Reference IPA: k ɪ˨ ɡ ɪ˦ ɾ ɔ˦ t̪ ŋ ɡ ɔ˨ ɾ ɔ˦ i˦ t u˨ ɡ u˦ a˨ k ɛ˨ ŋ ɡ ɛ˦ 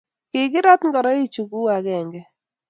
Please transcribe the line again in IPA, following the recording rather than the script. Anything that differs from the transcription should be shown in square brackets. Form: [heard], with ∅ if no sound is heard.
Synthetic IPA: k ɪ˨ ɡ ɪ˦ ɾ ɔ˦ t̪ ŋ ɡ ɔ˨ ɾ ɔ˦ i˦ [t͡ʃ] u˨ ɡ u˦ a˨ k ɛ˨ ŋ ɡ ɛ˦